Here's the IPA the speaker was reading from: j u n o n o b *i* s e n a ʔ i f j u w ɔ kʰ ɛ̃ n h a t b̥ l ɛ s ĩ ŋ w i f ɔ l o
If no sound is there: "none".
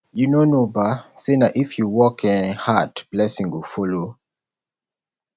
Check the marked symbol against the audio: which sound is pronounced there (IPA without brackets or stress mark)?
a